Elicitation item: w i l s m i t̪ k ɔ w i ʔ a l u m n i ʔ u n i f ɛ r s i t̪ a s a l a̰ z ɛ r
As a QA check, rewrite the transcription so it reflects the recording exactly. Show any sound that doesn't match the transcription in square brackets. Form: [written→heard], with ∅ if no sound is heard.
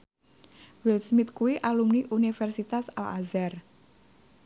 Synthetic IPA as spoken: w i l s m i t̪ k [ɔ→u] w i ʔ a l u m n i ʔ u n i f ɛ r s i t̪ a s a l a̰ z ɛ r